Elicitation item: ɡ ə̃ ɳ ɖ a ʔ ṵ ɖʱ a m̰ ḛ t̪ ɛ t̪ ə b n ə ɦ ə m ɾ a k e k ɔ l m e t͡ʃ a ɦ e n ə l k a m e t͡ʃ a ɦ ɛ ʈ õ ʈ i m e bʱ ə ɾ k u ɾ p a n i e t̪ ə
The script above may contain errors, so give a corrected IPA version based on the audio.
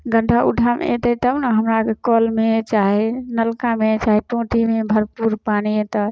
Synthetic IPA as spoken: ɡ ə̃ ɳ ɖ a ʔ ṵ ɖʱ a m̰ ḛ t̪ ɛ t̪ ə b n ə ɦ ə m ɾ a k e k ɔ l m e t͡ʃ a ɦ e n ə l k a m e t͡ʃ a ɦ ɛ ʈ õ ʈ i m e bʱ ə ɾ p u ɾ p a n i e t̪ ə